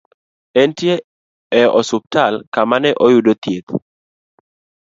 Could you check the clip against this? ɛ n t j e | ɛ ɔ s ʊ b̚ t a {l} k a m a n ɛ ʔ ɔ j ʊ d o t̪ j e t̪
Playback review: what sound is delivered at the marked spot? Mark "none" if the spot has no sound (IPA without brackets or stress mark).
l